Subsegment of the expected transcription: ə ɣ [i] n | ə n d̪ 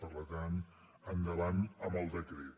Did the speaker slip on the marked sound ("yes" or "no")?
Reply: yes